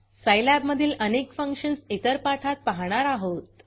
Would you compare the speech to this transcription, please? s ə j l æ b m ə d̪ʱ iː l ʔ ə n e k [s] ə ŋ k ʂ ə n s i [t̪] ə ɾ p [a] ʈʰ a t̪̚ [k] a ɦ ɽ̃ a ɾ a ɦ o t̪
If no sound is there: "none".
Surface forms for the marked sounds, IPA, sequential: f, t̪, a, p

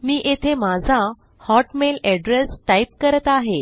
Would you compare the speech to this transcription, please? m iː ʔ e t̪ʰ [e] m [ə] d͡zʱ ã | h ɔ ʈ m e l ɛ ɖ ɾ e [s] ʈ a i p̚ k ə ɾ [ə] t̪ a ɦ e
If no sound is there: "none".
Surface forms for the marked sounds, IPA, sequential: e, a, s, ə

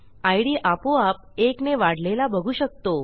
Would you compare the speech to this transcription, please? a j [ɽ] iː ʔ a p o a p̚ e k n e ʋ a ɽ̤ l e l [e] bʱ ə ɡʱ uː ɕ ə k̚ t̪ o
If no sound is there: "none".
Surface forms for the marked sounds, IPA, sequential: ɽ, a

